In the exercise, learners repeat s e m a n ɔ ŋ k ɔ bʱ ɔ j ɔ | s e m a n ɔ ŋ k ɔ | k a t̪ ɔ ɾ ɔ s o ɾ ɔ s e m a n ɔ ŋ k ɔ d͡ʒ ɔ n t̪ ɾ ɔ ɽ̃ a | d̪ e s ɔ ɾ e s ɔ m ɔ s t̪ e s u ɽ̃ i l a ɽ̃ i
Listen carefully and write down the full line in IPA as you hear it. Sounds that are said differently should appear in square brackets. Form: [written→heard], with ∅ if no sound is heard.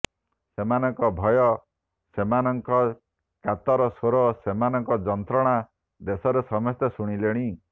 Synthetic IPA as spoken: s e m a n ɔ ŋ k ɔ bʱ ɔ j ɔ | s e m a n ɔ ŋ k ɔ | k a t̪ ɔ ɾ ɔ s o ɾ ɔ s e m a n ɔ ŋ k ɔ d͡ʒ ɔ n t̪ ɾ ɔ ɽ̃ a | d̪ e s ɔ ɾ e s ɔ m ɔ s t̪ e s u ɽ̃ i l [a→e] ɽ̃ i

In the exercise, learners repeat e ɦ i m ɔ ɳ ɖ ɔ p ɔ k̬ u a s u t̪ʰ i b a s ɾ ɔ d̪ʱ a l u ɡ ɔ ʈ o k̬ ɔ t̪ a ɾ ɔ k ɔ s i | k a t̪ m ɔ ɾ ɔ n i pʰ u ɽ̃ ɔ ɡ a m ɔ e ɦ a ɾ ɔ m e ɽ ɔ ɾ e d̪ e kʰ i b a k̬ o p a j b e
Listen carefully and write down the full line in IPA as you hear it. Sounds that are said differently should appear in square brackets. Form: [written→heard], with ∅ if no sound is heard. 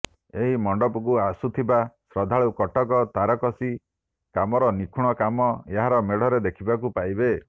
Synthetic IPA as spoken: e ɦ i m ɔ ɳ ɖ ɔ p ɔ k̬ u a s u t̪ʰ i b a s ɾ ɔ d̪ʱ a [l→ɭ] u [ɡ→k] ɔ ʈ [o→ɔ] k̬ ɔ t̪ a ɾ ɔ k ɔ s i | k a [t̪→∅] m ɔ ɾ ɔ n i [pʰ→kʰ] u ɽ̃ ɔ [ɡ→k] a m ɔ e ɦ a ɾ ɔ m e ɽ ɔ ɾ e d̪ e kʰ i b a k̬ [o→u] p a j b e

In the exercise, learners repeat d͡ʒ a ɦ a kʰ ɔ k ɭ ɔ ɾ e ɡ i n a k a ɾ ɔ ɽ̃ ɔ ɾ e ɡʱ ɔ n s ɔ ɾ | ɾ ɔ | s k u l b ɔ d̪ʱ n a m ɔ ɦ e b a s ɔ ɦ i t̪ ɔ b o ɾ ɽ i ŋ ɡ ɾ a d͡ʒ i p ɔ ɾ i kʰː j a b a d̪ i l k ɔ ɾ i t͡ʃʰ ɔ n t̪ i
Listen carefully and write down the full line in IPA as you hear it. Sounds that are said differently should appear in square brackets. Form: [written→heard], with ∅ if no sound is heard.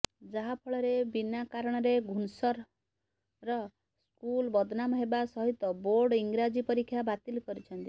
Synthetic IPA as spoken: d͡ʒ a ɦ a [kʰ→pʰ] ɔ [k→∅] ɭ ɔ ɾ e [ɡ→b] i n a k a ɾ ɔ ɽ̃ ɔ ɾ e ɡʱ [ɔ→u] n s ɔ ɾ | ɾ ɔ | s k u l b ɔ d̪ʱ n a m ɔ ɦ e b a s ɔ ɦ i t̪ ɔ b o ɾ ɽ i ŋ ɡ ɾ a d͡ʒ i p ɔ ɾ i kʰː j a b a [d̪→t̪] i l k ɔ ɾ i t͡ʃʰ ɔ n t̪ i

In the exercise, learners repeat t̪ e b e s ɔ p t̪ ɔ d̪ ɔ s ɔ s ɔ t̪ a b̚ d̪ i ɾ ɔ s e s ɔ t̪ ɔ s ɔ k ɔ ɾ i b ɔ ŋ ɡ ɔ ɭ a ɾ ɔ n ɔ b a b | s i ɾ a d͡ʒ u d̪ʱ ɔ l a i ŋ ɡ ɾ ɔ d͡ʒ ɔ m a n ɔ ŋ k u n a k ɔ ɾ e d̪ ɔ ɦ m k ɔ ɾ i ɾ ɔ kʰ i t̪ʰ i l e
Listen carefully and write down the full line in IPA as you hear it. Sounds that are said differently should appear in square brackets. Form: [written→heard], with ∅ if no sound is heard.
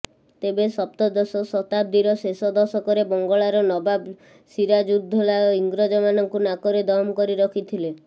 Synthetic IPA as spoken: t̪ e b e s ɔ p t̪ ɔ d̪ ɔ s ɔ s ɔ t̪ a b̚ d̪ i ɾ ɔ s e s ɔ [t̪→d̪] ɔ s ɔ k ɔ ɾ [i→e] b ɔ ŋ ɡ ɔ ɭ a ɾ ɔ n ɔ b a b | s i ɾ a d͡ʒ u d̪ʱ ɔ l a i ŋ ɡ ɾ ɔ d͡ʒ ɔ m a n ɔ ŋ k u n a k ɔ ɾ e d̪ ɔ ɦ m k ɔ ɾ i ɾ ɔ kʰ i t̪ʰ i l e

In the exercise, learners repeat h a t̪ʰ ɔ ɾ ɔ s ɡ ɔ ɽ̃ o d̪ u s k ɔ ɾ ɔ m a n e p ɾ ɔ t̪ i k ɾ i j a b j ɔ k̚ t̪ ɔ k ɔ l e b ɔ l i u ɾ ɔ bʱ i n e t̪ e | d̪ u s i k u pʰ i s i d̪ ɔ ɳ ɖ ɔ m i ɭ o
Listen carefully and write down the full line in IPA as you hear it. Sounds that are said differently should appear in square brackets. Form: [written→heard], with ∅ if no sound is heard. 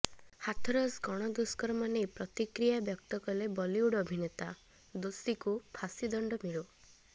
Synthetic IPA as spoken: h a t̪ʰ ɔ ɾ ɔ s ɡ ɔ ɽ̃ [o→ɔ] d̪ u s k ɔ ɾ ɔ m a n e p ɾ ɔ t̪ i k ɾ i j a b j ɔ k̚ t̪ ɔ k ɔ l e b ɔ l i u [ɾ→ɽ] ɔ bʱ i n e t̪ [e→a] | d̪ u s i k u pʰ [i→a] s i d̪ ɔ ɳ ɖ ɔ m i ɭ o

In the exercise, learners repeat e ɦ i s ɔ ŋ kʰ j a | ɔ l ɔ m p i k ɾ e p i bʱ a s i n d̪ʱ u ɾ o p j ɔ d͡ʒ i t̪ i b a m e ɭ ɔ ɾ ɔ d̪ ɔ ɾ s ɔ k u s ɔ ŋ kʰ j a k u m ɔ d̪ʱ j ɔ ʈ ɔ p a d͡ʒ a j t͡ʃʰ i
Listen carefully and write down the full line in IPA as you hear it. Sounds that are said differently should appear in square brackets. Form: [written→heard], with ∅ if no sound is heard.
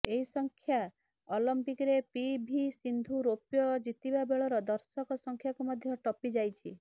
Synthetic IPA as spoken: e ɦ i s ɔ ŋ kʰ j a | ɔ l ɔ m p i k ɾ e p i bʱ [a→i] s i n d̪ʱ u ɾ o p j ɔ d͡ʒ i t̪ i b a [m→b] e ɭ ɔ ɾ ɔ d̪ ɔ ɾ s ɔ k [u→ɔ] s ɔ ŋ kʰ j a k u m ɔ d̪ʱ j ɔ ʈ ɔ p [a→i] d͡ʒ a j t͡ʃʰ i

